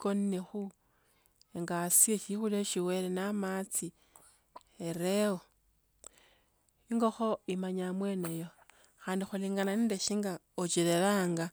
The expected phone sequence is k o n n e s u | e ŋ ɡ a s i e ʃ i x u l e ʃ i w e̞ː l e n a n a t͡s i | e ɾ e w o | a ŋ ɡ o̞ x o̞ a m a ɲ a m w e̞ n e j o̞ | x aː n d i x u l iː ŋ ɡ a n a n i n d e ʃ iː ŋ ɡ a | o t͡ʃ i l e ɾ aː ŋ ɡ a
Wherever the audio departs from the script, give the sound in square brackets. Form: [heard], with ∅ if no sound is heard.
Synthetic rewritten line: k o n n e [x] u | e ŋ ɡ a s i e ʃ i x u l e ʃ i w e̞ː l e n a [m] a t͡s i | e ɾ e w o | [i] ŋ ɡ o̞ x o̞ [i] m a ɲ a m w e̞ n e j o̞ | x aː n d i x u l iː ŋ ɡ a n a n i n d e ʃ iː ŋ ɡ a | o t͡ʃ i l e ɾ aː ŋ ɡ a